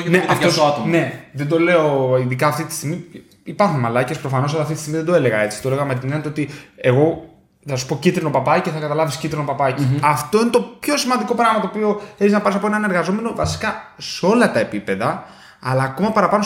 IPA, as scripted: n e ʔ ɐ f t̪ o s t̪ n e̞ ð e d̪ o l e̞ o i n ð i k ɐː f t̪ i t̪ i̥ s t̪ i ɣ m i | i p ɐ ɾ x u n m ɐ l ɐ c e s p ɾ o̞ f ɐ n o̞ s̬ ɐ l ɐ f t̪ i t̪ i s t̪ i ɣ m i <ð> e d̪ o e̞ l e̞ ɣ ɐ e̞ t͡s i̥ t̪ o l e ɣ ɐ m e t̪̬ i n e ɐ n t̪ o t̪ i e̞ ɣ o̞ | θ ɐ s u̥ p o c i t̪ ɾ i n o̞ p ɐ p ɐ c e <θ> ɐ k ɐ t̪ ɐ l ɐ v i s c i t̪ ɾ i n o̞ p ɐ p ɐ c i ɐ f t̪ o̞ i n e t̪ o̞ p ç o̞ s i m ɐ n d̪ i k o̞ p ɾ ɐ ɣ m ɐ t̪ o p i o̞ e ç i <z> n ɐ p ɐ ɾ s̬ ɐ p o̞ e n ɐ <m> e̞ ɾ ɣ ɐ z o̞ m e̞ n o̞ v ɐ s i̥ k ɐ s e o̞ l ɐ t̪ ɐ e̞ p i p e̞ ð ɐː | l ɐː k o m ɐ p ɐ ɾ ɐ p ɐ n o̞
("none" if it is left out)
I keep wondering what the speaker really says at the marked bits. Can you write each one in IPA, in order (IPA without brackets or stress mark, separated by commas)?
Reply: ð, θ, z, n